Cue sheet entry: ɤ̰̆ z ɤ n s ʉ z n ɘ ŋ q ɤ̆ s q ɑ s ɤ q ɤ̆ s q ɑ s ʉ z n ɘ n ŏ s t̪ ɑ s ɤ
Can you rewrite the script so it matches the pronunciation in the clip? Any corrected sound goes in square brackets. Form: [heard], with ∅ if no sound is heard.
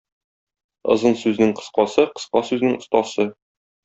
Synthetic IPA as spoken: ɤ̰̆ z ɤ n s ʉ z n ɘ ŋ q ɤ̆ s q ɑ s ɤ q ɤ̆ s q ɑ s ʉ z n ɘ [ŋ] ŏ s t̪ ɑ s ɤ